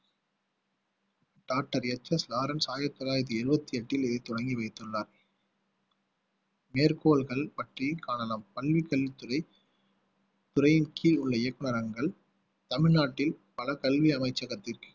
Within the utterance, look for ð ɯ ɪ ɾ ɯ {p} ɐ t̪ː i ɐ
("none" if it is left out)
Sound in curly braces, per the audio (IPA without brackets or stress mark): b